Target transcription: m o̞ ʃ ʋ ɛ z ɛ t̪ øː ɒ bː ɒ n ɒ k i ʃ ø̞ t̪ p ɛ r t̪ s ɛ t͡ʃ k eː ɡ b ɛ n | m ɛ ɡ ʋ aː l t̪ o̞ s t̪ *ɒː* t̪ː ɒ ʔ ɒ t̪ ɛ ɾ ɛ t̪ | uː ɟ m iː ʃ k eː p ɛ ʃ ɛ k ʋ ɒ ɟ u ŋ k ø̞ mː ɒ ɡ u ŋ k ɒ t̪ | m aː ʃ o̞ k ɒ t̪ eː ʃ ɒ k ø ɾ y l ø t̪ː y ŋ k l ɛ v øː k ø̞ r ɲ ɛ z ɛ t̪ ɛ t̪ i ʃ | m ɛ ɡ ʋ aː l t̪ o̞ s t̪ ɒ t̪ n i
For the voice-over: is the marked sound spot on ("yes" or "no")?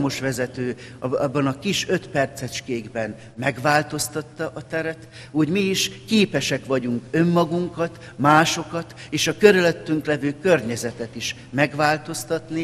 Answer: no